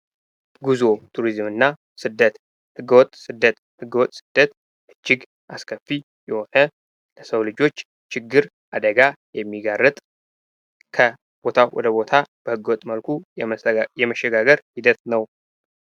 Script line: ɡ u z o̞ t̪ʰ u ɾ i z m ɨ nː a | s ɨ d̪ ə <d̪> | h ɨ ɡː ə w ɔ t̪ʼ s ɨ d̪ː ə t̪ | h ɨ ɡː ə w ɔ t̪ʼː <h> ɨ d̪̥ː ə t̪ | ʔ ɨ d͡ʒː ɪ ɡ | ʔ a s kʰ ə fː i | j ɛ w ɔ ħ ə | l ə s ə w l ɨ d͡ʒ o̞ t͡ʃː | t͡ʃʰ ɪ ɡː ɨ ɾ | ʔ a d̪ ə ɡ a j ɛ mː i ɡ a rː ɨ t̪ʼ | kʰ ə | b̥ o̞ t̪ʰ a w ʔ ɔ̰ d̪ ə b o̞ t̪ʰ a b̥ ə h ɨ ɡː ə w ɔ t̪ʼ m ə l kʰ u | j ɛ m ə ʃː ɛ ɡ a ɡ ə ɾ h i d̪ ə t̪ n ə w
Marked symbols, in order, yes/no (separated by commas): no, no